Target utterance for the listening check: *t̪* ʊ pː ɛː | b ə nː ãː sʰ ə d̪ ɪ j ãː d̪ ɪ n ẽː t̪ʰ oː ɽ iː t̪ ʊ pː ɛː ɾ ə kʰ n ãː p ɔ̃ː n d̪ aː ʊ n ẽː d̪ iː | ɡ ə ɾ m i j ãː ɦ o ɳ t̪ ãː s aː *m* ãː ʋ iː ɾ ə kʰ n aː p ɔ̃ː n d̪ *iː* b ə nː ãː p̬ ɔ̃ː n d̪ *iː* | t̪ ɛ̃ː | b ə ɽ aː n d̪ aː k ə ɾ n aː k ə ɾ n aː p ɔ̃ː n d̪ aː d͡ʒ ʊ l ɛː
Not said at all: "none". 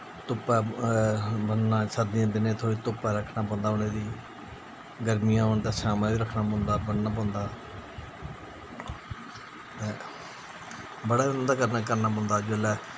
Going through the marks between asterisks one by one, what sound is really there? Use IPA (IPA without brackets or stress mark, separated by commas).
t̪, m, aː, aː